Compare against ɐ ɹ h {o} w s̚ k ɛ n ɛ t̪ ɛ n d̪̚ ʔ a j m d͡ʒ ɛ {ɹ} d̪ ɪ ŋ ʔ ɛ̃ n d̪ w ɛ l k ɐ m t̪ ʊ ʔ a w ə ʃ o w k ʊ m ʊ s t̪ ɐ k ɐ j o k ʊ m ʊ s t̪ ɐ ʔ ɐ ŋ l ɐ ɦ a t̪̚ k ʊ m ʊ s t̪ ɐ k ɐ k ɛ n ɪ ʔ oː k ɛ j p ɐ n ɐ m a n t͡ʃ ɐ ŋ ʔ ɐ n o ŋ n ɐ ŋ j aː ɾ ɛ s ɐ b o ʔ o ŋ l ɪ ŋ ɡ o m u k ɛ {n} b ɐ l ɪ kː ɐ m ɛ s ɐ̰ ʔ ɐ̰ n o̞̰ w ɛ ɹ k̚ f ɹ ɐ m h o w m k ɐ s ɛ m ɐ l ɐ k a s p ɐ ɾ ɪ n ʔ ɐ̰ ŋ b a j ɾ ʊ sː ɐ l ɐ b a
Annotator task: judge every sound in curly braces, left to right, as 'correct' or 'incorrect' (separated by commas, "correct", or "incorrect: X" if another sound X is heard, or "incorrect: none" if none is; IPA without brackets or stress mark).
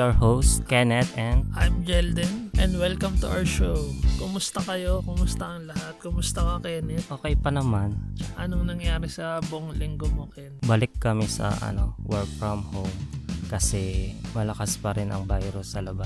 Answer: correct, incorrect: l, correct